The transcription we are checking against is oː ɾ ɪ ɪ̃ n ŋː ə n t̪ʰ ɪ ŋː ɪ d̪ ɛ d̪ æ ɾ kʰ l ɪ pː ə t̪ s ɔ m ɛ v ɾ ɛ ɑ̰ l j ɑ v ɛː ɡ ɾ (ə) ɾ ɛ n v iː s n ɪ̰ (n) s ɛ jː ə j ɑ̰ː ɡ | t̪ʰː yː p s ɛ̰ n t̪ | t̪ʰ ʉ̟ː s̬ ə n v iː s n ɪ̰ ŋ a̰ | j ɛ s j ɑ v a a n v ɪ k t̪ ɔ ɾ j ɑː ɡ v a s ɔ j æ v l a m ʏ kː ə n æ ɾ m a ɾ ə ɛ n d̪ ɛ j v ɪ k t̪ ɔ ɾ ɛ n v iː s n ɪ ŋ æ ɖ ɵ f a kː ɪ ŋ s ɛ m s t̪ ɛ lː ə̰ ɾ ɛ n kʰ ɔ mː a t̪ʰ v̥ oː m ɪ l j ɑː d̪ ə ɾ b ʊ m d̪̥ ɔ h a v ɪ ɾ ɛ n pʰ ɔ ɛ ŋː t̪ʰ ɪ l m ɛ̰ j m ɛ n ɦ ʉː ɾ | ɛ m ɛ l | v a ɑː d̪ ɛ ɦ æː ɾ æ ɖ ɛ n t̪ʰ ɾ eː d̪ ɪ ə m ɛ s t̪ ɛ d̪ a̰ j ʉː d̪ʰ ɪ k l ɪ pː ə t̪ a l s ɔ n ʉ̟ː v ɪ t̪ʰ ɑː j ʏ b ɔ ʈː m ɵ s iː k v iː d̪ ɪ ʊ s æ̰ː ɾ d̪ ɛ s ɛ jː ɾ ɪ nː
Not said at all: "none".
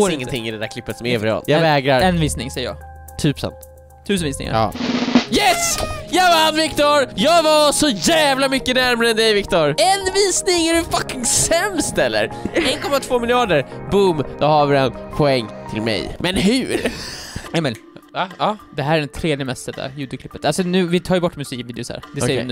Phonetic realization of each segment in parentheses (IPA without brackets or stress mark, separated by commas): a, ŋ